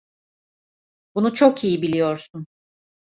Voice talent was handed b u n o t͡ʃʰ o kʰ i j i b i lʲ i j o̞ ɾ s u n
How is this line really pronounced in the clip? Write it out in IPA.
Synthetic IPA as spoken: b u n u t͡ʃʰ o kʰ i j i b i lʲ i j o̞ ɾ s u n